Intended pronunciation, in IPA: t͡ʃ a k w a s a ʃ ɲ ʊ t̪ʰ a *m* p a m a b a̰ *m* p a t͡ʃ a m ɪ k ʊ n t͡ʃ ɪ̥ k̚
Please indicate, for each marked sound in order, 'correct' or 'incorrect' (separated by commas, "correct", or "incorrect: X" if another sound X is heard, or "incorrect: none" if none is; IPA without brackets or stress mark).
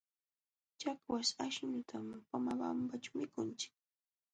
correct, correct